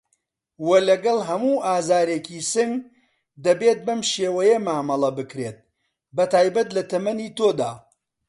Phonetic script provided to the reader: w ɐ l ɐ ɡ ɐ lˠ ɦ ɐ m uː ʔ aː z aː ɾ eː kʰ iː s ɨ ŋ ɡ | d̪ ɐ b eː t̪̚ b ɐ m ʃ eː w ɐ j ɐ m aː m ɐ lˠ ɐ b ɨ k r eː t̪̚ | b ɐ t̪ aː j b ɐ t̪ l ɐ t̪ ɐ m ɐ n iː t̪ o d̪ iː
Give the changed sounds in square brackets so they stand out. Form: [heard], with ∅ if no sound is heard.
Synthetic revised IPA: w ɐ l ɐ ɡ ɐ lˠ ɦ ɐ m uː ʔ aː z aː ɾ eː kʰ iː s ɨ ŋ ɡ | d̪ ɐ b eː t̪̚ b ɐ m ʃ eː w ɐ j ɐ m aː m ɐ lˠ ɐ b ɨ k [ɾ] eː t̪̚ | b ɐ t̪ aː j b ɐ t̪ l ɐ t̪ ɐ m ɐ n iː t̪ o d̪ [aː]